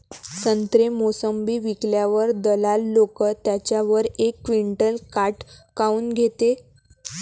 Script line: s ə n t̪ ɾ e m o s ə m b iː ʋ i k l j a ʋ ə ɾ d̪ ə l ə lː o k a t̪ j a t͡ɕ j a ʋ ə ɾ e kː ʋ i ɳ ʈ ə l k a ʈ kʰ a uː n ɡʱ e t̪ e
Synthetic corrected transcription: s ə n t̪ ɾ e m o s ə m b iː ʋ i k l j a ʋ ə ɾ d̪ ə l a lː o k ə t̪ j a t͡ɕ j a ʋ ə ɾ e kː ʋ i ɳ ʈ ə l k a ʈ k a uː n ɡʱ e t̪ e